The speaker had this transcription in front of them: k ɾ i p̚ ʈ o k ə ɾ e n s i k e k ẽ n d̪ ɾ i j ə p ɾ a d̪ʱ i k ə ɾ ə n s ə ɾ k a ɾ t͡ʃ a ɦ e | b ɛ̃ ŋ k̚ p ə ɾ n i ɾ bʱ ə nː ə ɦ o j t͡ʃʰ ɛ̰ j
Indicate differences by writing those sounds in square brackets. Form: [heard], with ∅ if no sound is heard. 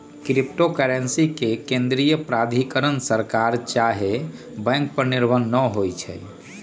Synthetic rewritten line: k ɾ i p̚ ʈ o k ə ɾ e n s i k e k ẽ n d̪ ɾ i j ə p ɾ a d̪ʱ i k ə ɾ ə n s ə ɾ k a ɾ t͡ʃ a ɦ e | b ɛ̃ ŋ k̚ p ə ɾ n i ɾ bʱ ə nː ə ɦ o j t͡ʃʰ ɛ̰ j